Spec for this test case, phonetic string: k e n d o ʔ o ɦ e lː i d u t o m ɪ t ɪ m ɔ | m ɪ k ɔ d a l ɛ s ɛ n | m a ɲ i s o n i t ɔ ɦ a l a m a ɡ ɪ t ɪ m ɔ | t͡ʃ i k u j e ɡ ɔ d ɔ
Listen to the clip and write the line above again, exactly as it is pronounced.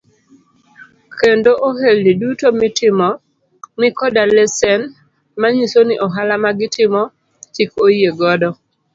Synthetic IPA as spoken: k e n d o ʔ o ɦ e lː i d u t o m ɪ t ɪ m ɔ | m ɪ k ɔ d a l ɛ s ɛ n | m a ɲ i s o n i ʔ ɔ ɦ a l a m a ɡ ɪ t ɪ m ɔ | t͡ʃ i k o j e ɡ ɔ d ɔ